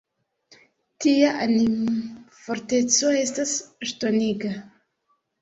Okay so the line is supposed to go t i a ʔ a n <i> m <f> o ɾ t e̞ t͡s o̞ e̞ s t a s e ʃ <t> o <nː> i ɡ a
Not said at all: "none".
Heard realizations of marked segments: i, f, t, n

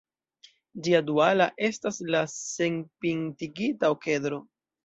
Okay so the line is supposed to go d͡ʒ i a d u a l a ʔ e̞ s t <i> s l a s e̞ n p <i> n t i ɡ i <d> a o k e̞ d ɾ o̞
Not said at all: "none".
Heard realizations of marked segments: a, i, t

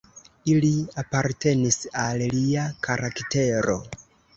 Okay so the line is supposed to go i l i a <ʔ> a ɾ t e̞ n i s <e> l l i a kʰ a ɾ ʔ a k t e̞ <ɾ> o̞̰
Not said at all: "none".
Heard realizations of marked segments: p, a, ɾ

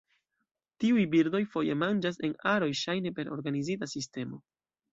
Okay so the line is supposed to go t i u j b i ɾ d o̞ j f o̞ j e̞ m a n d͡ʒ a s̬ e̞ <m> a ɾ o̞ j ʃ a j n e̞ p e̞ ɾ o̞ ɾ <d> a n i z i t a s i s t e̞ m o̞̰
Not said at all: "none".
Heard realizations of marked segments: n, ɡ

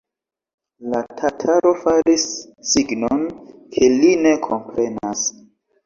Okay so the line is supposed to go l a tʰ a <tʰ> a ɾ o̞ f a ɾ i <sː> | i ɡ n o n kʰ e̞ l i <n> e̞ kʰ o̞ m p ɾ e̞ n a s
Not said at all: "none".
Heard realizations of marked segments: tʰ, sː, n

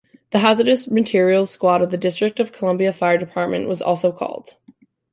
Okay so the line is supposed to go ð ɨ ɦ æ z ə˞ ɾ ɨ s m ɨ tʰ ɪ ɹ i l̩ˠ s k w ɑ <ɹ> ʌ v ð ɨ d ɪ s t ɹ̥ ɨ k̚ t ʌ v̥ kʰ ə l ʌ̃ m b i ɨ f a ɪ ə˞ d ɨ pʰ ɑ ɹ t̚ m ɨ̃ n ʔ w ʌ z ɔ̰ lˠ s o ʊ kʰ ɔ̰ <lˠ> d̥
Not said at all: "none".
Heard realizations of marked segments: ɾ, lˠ

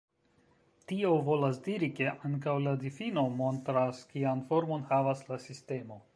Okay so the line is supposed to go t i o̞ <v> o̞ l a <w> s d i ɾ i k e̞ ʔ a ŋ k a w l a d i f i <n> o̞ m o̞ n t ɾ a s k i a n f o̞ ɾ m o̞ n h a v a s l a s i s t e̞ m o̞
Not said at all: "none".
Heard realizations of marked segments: v, none, n

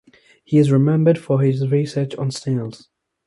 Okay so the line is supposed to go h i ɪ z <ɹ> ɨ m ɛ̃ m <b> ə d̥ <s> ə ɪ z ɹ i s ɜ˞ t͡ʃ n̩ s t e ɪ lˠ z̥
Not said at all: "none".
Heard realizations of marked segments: ɹ, b, f

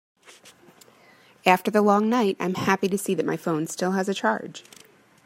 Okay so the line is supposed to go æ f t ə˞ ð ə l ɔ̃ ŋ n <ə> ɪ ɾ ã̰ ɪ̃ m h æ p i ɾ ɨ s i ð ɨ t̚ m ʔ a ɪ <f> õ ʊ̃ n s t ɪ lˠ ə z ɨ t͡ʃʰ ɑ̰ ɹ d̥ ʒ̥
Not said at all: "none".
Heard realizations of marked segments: a, f

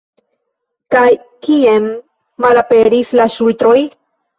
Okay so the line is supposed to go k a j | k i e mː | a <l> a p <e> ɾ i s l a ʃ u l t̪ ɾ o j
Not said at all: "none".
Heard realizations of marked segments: l, e

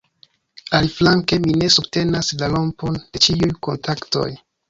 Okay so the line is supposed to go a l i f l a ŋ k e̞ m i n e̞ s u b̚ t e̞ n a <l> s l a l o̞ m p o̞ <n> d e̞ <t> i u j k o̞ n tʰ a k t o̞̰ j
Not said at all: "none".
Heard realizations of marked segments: none, n, t͡ʃ

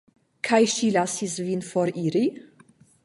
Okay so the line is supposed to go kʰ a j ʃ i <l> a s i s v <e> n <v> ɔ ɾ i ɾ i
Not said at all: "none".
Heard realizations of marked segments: l, i, f

